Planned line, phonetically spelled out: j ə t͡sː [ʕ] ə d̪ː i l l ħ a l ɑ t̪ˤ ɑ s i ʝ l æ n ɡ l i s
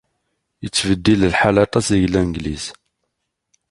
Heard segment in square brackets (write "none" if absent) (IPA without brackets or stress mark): v